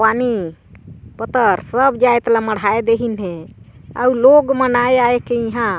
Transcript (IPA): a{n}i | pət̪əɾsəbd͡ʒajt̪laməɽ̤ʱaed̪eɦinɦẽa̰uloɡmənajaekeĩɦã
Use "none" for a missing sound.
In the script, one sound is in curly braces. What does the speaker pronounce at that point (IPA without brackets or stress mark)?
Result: n